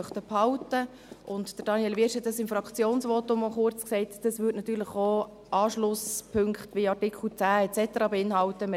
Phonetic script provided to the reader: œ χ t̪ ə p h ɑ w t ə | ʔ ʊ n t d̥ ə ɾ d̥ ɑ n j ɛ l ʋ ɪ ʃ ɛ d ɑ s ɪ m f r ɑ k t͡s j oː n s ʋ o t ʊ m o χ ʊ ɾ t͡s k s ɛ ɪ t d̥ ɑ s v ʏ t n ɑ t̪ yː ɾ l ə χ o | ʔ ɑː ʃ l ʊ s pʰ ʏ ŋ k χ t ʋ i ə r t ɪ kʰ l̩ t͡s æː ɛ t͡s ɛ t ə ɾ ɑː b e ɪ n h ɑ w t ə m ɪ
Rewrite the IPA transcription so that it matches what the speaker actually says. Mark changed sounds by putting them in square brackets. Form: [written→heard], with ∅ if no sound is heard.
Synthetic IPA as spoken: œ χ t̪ ə p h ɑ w t ə | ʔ ʊ n t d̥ ə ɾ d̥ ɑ n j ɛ l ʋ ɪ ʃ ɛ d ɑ s ɪ m f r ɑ k t͡s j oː n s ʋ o t ʊ m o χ ʊ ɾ t͡s k s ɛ ɪ t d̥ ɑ s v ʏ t n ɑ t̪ yː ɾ l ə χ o | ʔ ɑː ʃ l ʊ s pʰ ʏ ŋ k χ t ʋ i [ə→ɑ] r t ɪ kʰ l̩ t͡s æː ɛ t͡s ɛ t ə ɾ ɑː b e ɪ n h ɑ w t ə m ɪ